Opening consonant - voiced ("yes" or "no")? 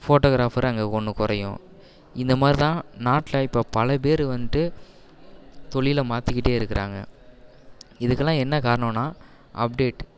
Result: no